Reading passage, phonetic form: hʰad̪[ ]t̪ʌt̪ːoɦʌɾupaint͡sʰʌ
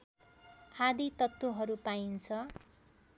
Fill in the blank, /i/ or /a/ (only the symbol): i